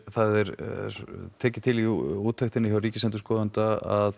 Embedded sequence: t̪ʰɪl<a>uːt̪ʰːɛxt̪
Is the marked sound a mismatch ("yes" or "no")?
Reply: yes